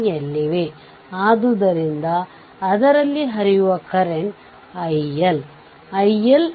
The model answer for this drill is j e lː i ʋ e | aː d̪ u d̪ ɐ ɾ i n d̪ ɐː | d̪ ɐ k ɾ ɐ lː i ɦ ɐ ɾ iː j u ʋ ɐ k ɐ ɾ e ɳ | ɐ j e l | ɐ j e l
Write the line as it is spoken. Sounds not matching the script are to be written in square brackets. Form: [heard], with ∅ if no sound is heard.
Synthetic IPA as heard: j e lː i ʋ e | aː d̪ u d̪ ɐ ɾ i n d̪ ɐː | d̪ ɐ [∅] ɾ ɐ lː i ɦ ɐ ɾ [i] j u ʋ ɐ k ɐ ɾ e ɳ | ɐ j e l | ɐ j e l

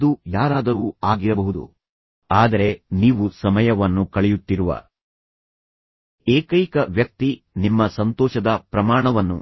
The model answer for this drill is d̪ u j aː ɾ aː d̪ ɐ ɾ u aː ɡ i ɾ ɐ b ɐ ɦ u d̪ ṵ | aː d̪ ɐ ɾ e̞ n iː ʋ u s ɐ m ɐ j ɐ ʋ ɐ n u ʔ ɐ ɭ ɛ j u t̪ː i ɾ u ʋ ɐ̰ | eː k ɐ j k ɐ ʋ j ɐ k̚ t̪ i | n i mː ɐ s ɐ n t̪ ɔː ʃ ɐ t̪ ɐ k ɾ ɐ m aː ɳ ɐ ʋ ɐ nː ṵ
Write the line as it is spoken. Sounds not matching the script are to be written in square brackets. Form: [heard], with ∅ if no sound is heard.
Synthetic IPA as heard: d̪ u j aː ɾ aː d̪ ɐ ɾ u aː ɡ i ɾ ɐ b ɐ ɦ u d̪ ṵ | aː d̪ ɐ ɾ e̞ n iː ʋ u s ɐ m ɐ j ɐ ʋ ɐ [nː] u [k] ɐ ɭ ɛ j u t̪ː i ɾ u ʋ ɐ̰ | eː k ɐ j k ɐ ʋ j ɐ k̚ t̪ i | n i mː ɐ s ɐ n t̪ ɔː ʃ ɐ [d̪] ɐ [p] ɾ ɐ m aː ɳ ɐ ʋ ɐ nː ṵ

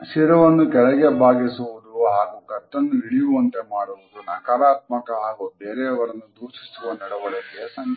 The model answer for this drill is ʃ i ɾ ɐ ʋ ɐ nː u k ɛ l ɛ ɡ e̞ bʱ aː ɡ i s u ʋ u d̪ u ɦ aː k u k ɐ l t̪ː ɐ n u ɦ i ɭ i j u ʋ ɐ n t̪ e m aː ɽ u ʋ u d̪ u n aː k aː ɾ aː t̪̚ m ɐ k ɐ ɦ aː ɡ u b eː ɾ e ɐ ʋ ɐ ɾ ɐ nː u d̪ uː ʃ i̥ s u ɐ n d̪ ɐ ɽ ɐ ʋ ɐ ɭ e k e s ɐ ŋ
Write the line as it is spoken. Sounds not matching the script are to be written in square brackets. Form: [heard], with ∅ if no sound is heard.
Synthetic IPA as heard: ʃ i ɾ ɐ ʋ ɐ nː u k ɛ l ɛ ɡ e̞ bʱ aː ɡ i s u ʋ u d̪ u ɦ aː [ɡ] u k ɐ [∅] t̪ː ɐ [nː] u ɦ i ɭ i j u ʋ ɐ n t̪ e m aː ɽ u ʋ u d̪ u n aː k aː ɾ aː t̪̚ m ɐ k ɐ ɦ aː ɡ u b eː ɾ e ɐ ʋ ɐ ɾ ɐ nː u d̪ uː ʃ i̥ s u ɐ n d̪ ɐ ɽ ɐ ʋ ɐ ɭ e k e s ɐ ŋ

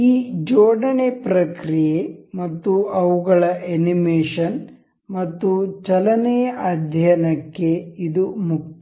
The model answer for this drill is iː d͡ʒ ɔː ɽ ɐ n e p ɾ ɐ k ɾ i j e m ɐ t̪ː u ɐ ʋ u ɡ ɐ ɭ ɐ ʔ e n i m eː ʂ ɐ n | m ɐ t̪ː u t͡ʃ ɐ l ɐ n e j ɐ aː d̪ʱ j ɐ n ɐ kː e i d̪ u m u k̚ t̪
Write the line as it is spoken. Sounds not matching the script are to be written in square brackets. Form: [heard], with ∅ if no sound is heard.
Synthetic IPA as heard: iː d͡ʒ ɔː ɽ ɐ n e p ɾ ɐ k ɾ i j e m ɐ t̪ː u ɐ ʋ u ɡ ɐ ɭ ɐ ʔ e n i m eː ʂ ɐ n | m ɐ t̪ː u t͡ʃ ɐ l ɐ n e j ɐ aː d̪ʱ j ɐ n ɐ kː e i d̪ u m u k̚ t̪

